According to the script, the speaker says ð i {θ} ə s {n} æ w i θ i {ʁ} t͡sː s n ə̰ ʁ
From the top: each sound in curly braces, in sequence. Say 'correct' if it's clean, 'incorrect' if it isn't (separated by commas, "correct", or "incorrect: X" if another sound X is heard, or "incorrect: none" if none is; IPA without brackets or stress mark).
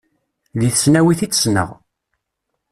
correct, correct, incorrect: none